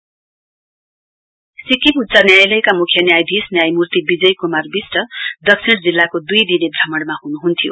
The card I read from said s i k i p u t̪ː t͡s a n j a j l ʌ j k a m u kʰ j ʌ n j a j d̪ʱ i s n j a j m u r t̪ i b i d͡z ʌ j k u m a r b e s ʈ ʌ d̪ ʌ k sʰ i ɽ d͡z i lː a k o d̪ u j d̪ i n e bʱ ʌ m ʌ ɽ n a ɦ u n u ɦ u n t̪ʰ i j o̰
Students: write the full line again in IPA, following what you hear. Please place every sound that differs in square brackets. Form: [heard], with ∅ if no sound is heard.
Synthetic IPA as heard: s i k i p u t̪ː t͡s a n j a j l ʌ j k a m u kʰ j ʌ n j a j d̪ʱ i s n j a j m u r t̪ i b i d͡z ʌ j k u m a r b [i] s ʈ ʌ d̪ ʌ k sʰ i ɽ d͡z i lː a k o d̪ u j d̪ i n e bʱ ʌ m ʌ ɽ [m] a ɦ u n u ɦ u n t̪ʰ i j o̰

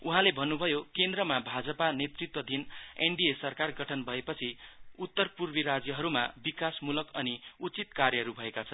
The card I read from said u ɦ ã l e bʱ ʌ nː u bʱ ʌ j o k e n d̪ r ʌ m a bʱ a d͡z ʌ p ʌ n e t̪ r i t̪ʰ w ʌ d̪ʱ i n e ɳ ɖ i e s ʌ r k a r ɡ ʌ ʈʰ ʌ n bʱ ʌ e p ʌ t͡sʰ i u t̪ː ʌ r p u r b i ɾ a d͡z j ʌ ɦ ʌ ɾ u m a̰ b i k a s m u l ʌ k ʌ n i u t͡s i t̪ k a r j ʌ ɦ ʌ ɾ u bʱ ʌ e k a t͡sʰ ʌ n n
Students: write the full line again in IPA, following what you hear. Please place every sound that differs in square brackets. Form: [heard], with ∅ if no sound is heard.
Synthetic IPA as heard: u ɦ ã l e bʱ ʌ nː u bʱ ʌ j o k e n d̪ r ʌ m a bʱ a d͡z ʌ p [a] n e t̪ r i [t̪] w ʌ d̪ʱ i n e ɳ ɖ i e s ʌ r k a r ɡ ʌ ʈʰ ʌ n bʱ ʌ e p ʌ t͡sʰ i u t̪ː ʌ r p u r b i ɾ a d͡z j ʌ ɦ ʌ ɾ u m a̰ b i k a s m u l ʌ k ʌ n i u t͡s i t̪ k a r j ʌ ɦ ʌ ɾ u bʱ ʌ e k a t͡sʰ ʌ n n

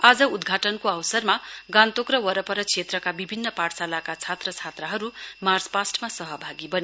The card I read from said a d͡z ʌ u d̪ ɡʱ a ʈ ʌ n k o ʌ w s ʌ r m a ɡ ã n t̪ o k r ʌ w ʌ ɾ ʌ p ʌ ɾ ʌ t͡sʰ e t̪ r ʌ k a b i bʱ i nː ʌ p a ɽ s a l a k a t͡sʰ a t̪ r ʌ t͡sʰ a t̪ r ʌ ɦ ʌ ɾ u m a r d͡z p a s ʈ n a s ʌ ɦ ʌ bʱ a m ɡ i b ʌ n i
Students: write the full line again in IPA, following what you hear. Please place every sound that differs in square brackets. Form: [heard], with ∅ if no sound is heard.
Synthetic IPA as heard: a d͡z ʌ u d̪ ɡʱ a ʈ ʌ n k o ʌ w s ʌ r m a ɡ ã n t̪ o k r ʌ w ʌ ɾ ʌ p ʌ ɾ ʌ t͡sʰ e t̪ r ʌ k a b i bʱ i nː ʌ p a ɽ s a l a k a t͡sʰ a t̪ r ʌ t͡sʰ a t̪ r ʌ ɦ ʌ ɾ u m a r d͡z p a s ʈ [m] a s ʌ ɦ ʌ bʱ a [∅] ɡ i b ʌ n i

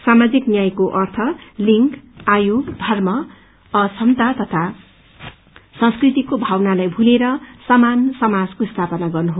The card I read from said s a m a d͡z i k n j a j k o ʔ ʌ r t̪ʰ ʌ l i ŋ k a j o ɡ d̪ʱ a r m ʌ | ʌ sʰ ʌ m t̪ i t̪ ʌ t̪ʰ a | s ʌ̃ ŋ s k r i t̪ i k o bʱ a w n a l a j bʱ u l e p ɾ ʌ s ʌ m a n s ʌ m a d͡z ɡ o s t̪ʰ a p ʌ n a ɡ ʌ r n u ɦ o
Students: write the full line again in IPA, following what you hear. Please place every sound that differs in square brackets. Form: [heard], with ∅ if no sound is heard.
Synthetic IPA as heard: s a m a d͡z i k n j a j k o ʔ ʌ r t̪ʰ ʌ l i ŋ k a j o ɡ d̪ʱ [ʌ] r m ʌ | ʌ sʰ ʌ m t̪ [a] t̪ ʌ t̪ʰ a | s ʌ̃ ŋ s k r i t̪ i k o bʱ a w n a l a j bʱ u l e [∅] ɾ ʌ s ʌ m a n s ʌ m a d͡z [k] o s t̪ʰ a p ʌ n a ɡ ʌ r n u ɦ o

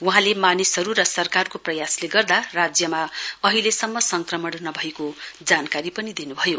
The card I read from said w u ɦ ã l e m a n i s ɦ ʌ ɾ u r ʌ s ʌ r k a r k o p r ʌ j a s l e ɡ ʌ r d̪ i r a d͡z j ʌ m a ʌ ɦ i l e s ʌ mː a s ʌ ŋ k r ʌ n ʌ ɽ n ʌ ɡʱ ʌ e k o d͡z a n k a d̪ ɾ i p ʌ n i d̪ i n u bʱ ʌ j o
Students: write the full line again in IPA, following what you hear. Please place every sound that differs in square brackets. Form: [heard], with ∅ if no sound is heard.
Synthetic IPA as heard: w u ɦ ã l e m a n i s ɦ ʌ ɾ u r ʌ s ʌ r k a r k o p r ʌ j a s l e ɡ ʌ r d̪ [a] r a d͡z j ʌ m a ʌ ɦ i l e s ʌ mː [ʌ] s ʌ ŋ k r ʌ [m] ʌ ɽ n ʌ [bʱ] ʌ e k o d͡z a n k a [∅] ɾ i p ʌ n i d̪ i n u bʱ ʌ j o

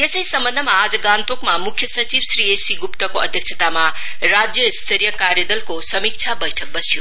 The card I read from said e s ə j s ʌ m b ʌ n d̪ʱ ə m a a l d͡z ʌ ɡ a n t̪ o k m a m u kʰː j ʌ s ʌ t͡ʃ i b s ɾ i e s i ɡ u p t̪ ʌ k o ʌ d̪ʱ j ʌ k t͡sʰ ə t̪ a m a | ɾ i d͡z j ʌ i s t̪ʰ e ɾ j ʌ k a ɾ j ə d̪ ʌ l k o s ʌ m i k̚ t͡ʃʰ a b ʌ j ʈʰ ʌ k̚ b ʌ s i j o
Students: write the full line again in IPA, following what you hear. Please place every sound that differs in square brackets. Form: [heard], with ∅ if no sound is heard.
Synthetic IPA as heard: e s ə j s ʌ m b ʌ n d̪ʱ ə m a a [∅] d͡z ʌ ɡ a n t̪ o k m a m u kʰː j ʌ s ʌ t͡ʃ i b s ɾ i e s i ɡ u p t̪ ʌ k o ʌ d̪ʱ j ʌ k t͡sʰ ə t̪ a m a | ɾ [a] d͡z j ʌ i s t̪ʰ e ɾ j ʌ k a ɾ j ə d̪ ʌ l k o s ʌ m i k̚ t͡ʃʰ a b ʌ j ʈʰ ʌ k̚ b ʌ s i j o

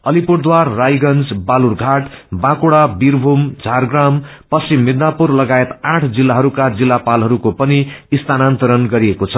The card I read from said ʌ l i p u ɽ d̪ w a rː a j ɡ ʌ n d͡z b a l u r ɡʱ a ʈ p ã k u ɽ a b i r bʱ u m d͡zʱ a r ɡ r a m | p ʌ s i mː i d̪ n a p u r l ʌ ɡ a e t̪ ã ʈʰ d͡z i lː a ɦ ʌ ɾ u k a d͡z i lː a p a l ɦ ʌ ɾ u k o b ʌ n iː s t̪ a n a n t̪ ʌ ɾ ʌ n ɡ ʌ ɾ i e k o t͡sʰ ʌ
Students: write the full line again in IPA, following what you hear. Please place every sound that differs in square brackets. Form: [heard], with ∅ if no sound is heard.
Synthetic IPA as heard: ʌ l i p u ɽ d̪ w a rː a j ɡ ʌ n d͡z b a l u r ɡʱ a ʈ [b] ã k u ɽ a b i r bʱ u m d͡zʱ a r ɡ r a m | p ʌ s i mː i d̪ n a p u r l ʌ ɡ a e t̪ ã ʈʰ d͡z i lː a ɦ ʌ ɾ u k a d͡z i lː a p a l ɦ ʌ ɾ u k o [p] ʌ n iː s t̪ a n a n t̪ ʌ ɾ ʌ n ɡ ʌ ɾ i e k o t͡sʰ ʌ

